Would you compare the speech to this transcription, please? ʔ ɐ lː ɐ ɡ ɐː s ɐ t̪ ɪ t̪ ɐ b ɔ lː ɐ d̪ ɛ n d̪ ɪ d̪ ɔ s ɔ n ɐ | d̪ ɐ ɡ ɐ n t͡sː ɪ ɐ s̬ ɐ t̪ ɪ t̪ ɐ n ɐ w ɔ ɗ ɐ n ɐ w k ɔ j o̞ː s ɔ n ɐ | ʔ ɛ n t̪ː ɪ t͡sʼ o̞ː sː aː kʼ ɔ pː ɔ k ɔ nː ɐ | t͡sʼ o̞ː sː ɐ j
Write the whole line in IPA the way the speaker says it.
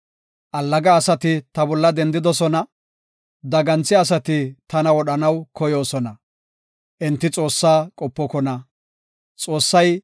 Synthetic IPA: ʔ ɐ lː ɐ ɡ ɐː s ɐ t̪ ɪ t̪ ɐ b ɔ lː ɐ d̪ ɛ n d̪ ɪ d̪ ɔ s ɔ n ɐ | d̪ ɐ ɡ ɐ n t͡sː ɪ ɐ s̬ ɐ t̪ ɪ t̪ ɐ n ɐ w ɔ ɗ ɐ n ɐ w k ɔ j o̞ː s ɔ n ɐ | ʔ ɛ n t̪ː ɪ t͡sʼ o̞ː sː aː kʼ ɔ pː ɔ k ɔ n ɐ | t͡sʼ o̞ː sː ɐ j

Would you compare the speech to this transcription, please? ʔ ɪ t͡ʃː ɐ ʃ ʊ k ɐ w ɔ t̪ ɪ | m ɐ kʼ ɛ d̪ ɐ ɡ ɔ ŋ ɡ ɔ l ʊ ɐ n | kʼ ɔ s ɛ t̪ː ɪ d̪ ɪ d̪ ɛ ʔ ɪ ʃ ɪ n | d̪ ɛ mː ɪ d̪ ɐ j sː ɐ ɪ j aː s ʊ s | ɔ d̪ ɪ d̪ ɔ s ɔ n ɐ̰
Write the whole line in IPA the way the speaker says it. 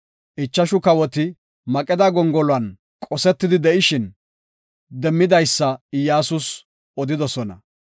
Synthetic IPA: ʔ ɪ t͡ʃː ɐ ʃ ʊ k ɐ w ɔ t̪ ɪ | m ɐ kʼ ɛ d̪ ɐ ɡ ɔ ŋ ɡ ɔ l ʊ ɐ n | kʼ ɔ s ɛ t̪ː ɪ d̪ ɪ d̪ ɛ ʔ ɪ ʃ ɪ n | d̪ ɛ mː ɪ d̪ ɐ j sː ɐ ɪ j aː s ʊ s | ɔ d̪ ɪ d̪ ɔ s ɔ n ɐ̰

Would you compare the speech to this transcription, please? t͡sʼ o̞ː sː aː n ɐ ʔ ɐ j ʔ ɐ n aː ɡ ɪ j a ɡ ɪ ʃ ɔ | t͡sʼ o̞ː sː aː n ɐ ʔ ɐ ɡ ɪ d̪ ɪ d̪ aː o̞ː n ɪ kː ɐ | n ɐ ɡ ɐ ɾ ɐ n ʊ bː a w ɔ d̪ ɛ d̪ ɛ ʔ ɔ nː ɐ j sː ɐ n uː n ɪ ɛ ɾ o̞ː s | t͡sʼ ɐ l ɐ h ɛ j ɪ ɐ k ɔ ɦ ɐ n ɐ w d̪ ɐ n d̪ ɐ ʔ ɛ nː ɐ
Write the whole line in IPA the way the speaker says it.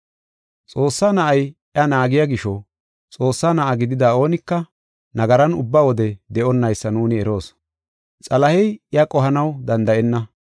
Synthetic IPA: t͡sʼ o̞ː sː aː n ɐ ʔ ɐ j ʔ ɐ n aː ɡ ɪ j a ɡ ɪ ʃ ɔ | t͡sʼ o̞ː sː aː n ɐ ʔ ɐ ɡ ɪ d̪ ɪ d̪ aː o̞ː n ɪ kː ɐ | n ɐ ɡ ɐ ɾ ɐ n ʊ bː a w ɔ d̪ ɛ d̪ ɛ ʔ ɔ nː ɐ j sː ɐ n uː n ɪ ɛ ɾ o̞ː s | t͡sʼ ɐ l ɐ h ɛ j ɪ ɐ kʼ ɔ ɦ ɐ n ɐ w d̪ ɐ n d̪ ɐ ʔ ɛ nː ɐ

